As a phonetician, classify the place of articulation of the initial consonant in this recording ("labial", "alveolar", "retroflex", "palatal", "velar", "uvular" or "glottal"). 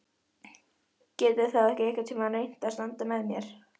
palatal